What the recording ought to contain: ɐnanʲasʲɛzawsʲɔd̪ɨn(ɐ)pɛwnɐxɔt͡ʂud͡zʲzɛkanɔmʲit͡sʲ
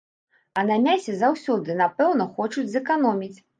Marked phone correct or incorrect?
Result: incorrect